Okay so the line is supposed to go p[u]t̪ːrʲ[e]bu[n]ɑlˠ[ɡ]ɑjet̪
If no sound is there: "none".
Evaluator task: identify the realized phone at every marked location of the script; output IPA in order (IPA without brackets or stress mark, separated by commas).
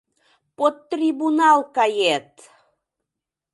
o, i, n, k